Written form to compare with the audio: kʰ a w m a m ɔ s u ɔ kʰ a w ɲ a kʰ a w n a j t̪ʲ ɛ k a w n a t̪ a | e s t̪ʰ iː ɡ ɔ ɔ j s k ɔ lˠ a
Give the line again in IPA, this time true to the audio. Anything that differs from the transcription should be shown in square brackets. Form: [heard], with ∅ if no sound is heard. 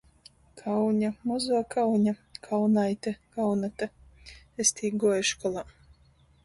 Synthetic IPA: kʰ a w [ɲ] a m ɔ [z] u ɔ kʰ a w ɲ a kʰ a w n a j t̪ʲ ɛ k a w n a t̪ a | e s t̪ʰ iː ɡ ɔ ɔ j [ʃ] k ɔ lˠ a